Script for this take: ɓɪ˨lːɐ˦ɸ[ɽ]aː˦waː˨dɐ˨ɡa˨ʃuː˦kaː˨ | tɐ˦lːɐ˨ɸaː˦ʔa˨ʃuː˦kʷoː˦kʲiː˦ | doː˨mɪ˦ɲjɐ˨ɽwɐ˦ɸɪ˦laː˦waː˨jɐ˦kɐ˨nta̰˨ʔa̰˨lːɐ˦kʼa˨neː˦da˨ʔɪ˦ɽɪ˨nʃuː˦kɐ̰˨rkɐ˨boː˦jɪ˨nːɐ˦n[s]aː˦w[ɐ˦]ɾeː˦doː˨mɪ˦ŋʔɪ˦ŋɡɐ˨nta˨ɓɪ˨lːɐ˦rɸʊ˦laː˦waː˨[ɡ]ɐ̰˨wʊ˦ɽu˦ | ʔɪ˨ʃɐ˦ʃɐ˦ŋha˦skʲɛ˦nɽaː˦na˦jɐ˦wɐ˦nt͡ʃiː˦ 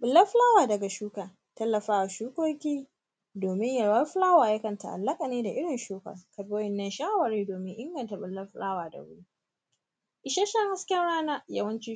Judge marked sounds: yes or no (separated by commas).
no, no, no, no